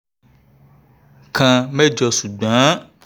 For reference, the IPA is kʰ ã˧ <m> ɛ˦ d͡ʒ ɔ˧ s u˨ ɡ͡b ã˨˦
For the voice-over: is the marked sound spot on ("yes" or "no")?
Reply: yes